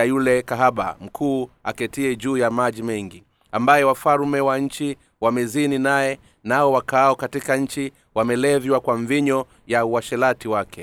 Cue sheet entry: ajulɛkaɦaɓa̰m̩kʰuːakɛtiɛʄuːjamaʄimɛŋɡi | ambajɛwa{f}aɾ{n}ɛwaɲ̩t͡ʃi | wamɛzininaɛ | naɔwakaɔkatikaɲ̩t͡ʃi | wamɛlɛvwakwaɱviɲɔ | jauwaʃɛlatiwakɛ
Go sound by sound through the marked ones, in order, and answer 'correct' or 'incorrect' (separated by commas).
correct, incorrect